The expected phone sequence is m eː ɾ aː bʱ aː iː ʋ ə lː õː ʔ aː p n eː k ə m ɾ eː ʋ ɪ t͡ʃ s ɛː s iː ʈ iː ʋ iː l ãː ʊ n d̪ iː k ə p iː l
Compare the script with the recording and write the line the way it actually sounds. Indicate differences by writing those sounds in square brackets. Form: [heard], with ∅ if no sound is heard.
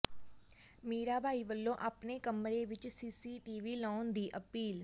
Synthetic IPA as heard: m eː ɾ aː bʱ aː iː ʋ ə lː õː ʔ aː p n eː k ə m ɾ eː ʋ ɪ t͡ʃ s [iː] s iː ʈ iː ʋ iː l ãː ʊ n d̪ iː [ʔ] ə p iː l